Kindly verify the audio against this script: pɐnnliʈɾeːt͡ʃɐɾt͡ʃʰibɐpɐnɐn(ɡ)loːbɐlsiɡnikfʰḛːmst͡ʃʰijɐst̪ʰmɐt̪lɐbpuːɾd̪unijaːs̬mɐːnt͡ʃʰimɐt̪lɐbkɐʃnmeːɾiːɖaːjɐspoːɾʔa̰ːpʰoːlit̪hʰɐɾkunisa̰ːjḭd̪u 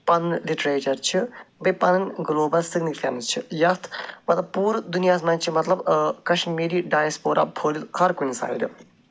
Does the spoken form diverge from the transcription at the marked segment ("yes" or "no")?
no